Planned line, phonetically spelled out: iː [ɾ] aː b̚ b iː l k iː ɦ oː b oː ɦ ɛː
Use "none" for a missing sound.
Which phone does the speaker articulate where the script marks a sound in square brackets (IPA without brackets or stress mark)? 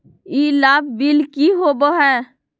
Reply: l